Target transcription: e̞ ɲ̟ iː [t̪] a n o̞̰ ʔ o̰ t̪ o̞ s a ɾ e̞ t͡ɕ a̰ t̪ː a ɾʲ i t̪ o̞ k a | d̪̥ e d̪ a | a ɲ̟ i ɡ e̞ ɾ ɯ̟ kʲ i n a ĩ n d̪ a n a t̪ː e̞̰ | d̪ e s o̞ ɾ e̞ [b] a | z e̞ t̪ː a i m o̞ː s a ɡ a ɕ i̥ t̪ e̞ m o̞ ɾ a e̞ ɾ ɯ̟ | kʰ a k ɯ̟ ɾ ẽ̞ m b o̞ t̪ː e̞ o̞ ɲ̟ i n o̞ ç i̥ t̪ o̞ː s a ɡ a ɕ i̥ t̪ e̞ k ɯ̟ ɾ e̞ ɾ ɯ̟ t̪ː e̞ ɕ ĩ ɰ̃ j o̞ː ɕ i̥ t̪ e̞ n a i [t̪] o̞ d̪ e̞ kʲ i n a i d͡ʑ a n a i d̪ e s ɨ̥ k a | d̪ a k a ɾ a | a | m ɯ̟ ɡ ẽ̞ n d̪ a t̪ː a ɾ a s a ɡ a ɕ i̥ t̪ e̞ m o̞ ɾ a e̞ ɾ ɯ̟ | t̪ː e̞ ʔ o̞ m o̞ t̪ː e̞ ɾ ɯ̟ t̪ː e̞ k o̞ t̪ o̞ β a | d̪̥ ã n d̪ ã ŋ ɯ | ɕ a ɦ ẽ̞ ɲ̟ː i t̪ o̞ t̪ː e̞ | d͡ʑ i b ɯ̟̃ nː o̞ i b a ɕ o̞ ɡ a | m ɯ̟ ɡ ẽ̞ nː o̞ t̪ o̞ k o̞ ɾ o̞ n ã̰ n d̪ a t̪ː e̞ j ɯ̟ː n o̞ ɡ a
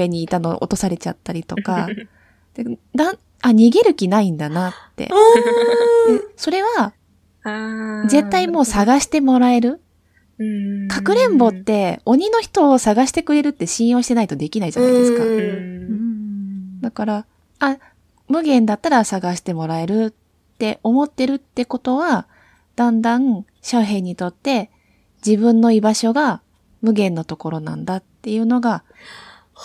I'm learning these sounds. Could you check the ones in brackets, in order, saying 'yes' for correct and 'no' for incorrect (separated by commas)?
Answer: yes, no, yes